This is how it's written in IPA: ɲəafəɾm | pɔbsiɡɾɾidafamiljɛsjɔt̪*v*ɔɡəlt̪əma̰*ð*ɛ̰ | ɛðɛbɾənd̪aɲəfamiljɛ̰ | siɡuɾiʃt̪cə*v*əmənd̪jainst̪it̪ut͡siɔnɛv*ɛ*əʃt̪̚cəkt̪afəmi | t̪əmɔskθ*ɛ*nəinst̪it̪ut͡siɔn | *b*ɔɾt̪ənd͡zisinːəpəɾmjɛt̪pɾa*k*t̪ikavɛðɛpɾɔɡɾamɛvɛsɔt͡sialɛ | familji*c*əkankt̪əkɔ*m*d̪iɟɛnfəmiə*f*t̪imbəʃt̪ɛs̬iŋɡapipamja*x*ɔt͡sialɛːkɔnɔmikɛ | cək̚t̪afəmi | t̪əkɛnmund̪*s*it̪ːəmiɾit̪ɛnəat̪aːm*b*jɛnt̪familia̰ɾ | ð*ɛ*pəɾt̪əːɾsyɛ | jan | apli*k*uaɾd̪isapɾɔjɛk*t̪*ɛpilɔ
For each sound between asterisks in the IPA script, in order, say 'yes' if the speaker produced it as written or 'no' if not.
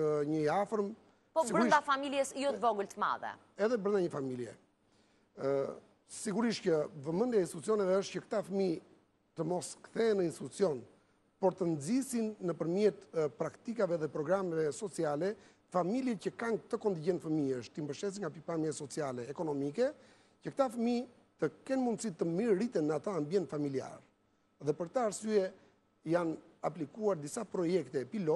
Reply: yes, yes, yes, yes, yes, no, yes, yes, no, no, no, yes, yes, yes, yes, yes

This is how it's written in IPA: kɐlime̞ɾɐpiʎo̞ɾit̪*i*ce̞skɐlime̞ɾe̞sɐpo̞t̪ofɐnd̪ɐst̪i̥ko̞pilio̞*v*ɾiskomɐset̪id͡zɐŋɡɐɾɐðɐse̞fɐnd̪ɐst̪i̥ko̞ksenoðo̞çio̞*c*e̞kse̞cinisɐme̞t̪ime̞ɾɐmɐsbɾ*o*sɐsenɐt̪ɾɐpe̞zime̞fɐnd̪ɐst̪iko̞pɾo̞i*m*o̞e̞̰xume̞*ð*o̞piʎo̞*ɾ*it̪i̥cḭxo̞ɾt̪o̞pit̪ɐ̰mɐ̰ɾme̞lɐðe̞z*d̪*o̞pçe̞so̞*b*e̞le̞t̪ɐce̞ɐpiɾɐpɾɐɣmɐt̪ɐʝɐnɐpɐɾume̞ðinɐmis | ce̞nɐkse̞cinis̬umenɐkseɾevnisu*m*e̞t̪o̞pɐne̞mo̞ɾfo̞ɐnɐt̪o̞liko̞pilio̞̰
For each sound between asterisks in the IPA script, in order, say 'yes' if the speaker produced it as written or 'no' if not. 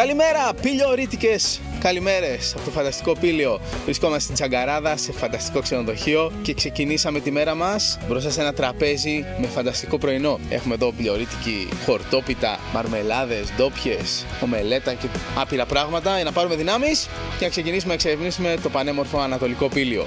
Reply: yes, yes, yes, yes, no, yes, yes, yes, no, yes

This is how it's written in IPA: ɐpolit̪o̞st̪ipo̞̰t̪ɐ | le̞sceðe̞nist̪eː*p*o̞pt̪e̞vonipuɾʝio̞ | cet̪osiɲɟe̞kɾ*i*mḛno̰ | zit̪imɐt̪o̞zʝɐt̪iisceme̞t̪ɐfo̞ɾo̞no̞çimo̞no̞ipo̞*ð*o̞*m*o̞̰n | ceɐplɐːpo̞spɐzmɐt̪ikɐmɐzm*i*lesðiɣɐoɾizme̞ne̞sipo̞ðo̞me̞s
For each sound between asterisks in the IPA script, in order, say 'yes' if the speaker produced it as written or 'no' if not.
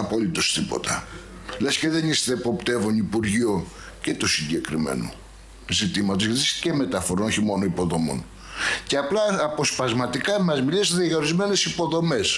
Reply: yes, yes, yes, yes, yes

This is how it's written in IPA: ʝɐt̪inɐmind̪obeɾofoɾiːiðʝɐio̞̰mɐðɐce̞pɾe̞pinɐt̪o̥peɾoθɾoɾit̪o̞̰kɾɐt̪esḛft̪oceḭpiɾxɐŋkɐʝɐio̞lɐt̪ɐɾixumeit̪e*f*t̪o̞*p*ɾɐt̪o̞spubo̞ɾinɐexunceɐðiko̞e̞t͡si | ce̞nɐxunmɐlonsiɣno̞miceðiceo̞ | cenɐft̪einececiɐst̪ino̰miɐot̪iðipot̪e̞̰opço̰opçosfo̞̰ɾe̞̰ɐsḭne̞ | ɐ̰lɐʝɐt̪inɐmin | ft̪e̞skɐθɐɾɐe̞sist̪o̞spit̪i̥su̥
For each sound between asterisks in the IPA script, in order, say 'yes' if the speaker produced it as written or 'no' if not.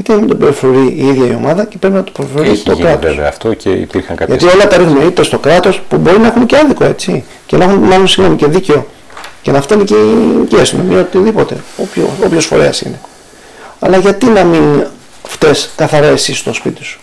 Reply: no, no

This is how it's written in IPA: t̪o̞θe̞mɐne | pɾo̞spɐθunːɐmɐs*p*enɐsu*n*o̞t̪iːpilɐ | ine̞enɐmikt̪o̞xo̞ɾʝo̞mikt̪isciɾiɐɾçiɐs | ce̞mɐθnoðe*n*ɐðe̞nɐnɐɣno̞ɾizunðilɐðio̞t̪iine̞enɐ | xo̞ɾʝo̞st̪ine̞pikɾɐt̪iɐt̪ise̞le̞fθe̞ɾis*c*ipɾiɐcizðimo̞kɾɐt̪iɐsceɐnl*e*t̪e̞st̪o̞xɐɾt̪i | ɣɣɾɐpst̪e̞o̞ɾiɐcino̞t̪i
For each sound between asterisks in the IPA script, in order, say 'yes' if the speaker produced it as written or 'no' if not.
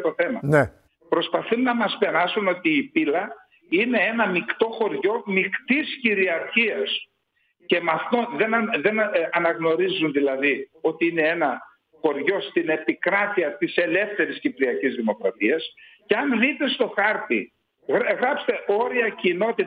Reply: yes, yes, yes, yes, no

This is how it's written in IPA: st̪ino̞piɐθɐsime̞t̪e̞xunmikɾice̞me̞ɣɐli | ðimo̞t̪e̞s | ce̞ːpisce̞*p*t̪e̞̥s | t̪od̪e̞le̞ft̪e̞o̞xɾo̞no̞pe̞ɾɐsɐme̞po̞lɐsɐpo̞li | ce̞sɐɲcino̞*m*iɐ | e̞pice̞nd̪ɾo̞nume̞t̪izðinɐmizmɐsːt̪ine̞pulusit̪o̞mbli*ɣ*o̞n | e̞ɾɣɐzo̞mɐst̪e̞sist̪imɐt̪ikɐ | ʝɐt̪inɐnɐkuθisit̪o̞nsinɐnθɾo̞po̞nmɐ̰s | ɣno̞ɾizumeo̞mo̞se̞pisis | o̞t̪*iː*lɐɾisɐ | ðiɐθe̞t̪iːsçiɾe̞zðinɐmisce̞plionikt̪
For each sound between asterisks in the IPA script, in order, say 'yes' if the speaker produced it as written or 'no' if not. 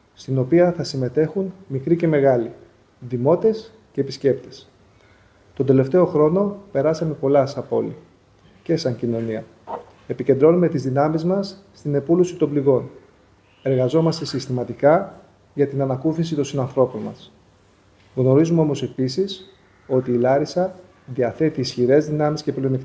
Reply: yes, no, yes, yes

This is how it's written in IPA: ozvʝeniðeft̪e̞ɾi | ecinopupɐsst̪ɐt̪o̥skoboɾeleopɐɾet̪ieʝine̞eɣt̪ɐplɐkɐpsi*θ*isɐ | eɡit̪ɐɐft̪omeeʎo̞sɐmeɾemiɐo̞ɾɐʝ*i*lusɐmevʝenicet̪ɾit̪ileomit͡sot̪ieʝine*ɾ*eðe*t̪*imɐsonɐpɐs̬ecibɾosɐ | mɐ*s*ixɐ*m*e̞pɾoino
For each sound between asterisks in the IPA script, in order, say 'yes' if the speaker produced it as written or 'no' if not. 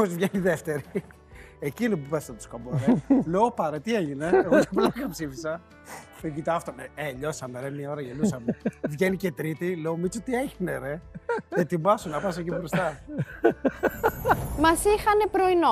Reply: no, no, yes, yes, yes, no

